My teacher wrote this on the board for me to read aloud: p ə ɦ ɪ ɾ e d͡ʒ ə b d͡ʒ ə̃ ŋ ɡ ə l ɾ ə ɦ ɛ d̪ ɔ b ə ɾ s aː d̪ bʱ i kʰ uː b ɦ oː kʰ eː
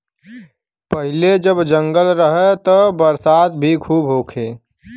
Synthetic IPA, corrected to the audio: p ə ɦ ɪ l e d͡ʒ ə b d͡ʒ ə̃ ŋ ɡ ə l ɾ ə ɦ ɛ t̪ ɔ b ə ɾ s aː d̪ bʱ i kʰ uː b ɦ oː kʰ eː